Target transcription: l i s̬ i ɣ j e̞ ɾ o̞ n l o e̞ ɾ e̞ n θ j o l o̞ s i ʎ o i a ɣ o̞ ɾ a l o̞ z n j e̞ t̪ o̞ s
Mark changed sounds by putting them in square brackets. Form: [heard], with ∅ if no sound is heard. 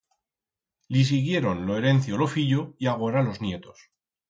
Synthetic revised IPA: l i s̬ i ɣ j e̞ ɾ o̞ n l o e̞ ɾ e̞ n θ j o l o̞ [f] i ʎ o i a ɣ o̞ ɾ a l o̞ z n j e̞ t̪ o̞ s